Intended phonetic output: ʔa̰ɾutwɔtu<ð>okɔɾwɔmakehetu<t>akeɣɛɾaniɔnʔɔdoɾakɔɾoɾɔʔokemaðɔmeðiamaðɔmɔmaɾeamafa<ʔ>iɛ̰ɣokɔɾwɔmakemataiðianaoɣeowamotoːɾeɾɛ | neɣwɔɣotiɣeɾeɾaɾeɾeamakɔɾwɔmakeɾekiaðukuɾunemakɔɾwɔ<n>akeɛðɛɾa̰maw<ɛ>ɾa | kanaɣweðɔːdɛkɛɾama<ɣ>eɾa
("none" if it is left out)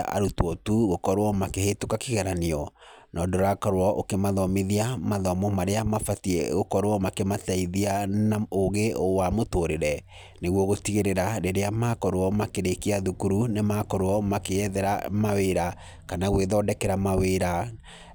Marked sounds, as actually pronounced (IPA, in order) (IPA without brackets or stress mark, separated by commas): ɣ, k, t, m, e, w